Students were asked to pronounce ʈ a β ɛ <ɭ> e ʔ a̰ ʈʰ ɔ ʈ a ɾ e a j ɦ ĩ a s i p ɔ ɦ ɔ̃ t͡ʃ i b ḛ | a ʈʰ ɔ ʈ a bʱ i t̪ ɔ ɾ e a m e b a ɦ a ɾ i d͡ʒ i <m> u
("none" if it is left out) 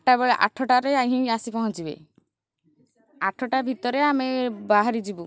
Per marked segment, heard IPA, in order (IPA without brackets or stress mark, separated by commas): ɭ, b